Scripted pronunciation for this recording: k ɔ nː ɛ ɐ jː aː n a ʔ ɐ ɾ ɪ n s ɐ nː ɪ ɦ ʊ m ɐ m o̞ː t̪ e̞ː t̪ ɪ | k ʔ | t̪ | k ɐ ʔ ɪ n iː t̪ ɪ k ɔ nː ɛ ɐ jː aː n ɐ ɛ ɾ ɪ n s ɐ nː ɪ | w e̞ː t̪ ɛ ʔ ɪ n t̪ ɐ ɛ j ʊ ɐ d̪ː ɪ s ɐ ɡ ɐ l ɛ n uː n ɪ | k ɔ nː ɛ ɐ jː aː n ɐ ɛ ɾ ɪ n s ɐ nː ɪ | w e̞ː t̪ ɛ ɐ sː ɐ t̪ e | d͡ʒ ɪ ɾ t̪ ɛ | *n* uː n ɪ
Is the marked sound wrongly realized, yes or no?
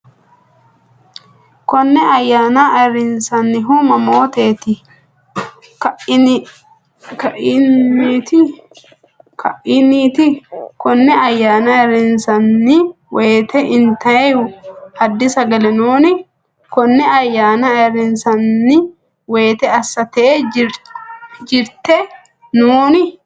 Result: no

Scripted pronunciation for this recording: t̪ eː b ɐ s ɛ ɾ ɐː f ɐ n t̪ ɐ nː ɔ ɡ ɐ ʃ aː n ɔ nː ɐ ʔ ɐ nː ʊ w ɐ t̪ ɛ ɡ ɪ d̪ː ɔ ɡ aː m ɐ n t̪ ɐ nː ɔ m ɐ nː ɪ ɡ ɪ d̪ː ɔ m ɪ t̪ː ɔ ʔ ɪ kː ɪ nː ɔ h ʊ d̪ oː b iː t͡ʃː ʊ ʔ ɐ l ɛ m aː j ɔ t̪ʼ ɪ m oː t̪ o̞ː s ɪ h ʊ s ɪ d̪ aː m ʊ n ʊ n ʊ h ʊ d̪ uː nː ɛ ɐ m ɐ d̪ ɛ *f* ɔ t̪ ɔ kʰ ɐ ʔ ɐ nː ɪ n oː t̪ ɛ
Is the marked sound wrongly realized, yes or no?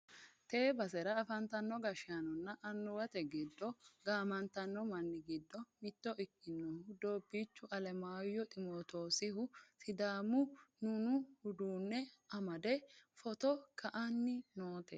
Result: no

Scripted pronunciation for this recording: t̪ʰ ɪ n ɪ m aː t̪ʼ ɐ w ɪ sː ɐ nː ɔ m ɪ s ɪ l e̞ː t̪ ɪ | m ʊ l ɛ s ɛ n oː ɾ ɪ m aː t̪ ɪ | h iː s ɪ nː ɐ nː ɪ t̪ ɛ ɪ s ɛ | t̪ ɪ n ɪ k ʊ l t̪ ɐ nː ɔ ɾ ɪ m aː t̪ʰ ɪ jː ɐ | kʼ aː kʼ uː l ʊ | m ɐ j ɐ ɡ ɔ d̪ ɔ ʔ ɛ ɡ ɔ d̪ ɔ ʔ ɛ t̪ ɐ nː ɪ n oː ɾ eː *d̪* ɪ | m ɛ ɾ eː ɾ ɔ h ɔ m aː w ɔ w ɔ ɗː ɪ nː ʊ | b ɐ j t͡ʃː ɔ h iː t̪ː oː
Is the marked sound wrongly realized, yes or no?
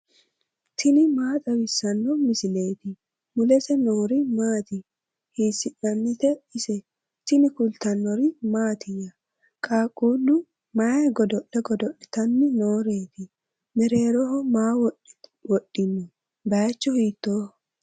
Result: yes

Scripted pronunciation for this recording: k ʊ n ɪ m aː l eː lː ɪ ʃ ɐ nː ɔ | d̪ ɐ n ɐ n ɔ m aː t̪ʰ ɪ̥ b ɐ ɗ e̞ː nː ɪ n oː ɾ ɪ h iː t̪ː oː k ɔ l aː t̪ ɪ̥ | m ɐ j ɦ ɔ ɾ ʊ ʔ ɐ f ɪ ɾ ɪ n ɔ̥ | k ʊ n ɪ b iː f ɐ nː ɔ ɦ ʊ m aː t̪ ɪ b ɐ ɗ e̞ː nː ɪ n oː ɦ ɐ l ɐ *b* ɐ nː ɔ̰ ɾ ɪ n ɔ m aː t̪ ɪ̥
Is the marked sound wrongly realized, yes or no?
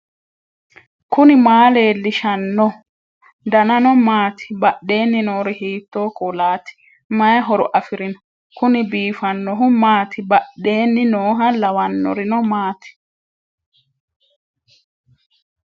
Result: yes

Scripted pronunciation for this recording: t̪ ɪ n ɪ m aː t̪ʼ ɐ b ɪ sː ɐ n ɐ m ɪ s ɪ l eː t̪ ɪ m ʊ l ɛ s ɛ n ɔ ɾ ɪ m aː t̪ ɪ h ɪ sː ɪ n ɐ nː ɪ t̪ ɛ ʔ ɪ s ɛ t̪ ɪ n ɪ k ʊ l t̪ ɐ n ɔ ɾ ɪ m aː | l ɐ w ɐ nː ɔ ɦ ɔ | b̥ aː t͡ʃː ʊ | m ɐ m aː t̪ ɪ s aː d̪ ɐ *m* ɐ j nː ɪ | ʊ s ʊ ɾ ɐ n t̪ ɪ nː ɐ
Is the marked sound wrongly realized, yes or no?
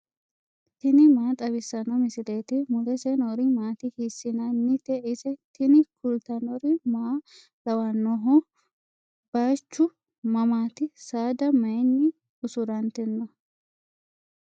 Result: no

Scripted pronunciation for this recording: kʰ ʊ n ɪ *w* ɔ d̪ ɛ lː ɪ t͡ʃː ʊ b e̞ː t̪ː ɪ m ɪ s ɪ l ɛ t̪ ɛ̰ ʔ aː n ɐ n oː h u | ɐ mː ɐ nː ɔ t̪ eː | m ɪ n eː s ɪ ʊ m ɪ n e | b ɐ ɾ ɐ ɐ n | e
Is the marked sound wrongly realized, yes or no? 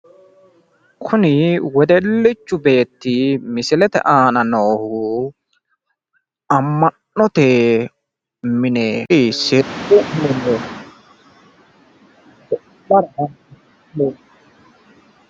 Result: no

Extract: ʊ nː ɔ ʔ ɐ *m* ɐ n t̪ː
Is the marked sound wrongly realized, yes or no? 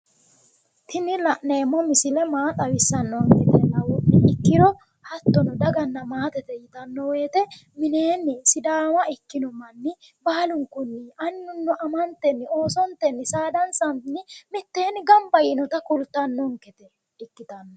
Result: no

